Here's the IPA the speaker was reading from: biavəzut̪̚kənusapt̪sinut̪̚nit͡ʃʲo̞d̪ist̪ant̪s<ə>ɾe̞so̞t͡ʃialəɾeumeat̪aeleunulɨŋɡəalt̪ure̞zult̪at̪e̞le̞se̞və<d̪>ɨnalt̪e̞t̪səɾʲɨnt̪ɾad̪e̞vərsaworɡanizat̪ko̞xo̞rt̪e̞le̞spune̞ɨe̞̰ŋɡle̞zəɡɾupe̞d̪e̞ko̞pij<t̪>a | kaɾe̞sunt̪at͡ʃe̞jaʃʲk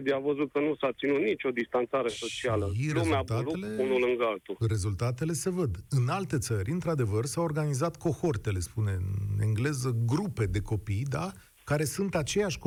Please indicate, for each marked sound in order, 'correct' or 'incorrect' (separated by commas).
incorrect, correct, incorrect